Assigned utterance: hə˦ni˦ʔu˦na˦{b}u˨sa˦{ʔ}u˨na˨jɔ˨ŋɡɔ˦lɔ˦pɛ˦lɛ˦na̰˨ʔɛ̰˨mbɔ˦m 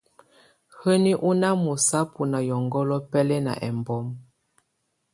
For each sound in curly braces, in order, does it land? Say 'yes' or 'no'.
no, no

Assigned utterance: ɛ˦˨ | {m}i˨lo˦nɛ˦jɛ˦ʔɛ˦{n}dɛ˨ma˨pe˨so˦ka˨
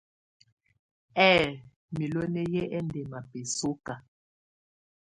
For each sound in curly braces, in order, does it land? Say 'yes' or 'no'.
yes, yes

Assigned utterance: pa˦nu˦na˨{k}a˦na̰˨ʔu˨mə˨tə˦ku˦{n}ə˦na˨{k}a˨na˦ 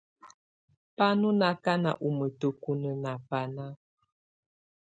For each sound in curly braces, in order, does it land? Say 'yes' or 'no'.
yes, yes, no

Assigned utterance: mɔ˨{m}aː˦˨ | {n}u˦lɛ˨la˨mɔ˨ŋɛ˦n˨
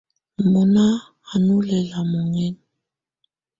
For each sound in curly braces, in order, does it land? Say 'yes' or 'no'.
no, yes

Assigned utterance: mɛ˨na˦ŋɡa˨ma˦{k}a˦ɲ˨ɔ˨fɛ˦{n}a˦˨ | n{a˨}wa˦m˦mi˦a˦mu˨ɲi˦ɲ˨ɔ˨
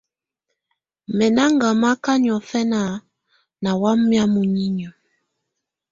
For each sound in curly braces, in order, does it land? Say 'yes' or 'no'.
yes, yes, yes

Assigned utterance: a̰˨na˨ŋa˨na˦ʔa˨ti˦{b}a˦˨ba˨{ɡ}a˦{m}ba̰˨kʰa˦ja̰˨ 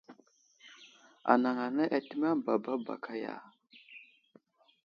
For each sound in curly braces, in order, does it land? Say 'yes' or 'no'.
no, no, no

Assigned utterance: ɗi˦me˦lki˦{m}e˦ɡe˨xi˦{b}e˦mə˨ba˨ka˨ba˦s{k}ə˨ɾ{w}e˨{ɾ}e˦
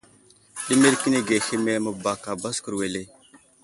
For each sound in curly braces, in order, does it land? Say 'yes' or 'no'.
no, no, yes, yes, no

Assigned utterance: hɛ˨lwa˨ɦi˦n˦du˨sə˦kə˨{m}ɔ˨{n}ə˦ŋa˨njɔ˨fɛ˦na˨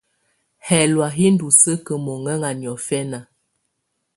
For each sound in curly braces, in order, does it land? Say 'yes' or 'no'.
yes, no

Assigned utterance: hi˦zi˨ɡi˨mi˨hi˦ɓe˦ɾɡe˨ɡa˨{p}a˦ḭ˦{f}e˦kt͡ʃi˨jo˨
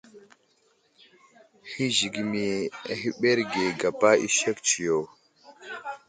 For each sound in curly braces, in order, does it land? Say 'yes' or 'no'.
yes, no

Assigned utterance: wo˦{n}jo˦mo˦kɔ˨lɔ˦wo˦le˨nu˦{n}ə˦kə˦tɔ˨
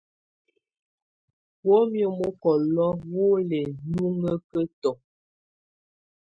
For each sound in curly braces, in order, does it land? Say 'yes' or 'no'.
no, no

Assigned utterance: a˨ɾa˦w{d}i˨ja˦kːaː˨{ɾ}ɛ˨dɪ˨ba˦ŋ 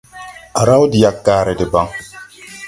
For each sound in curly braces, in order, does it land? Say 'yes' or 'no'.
yes, yes

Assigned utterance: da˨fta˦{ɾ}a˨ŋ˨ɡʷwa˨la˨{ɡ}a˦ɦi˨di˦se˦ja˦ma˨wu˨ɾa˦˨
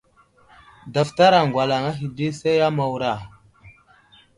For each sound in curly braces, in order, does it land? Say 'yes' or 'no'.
yes, no

